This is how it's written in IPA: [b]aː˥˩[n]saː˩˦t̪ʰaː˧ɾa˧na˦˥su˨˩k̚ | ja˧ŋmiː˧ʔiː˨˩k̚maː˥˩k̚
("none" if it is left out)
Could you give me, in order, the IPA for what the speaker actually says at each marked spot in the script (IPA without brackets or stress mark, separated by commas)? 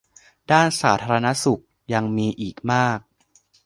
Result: d, n